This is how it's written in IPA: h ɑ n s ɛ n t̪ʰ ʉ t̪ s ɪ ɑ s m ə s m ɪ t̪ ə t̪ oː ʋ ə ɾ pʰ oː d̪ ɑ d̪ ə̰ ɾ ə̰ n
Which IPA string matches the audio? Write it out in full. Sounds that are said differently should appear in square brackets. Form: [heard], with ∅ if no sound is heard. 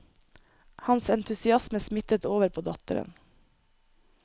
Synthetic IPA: h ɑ n s ɛ n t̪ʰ ʉ [∅] s ɪ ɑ s m ə s m ɪ t̪ ə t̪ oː ʋ ə ɾ pʰ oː d̪ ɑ [t̪] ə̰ ɾ ə̰ n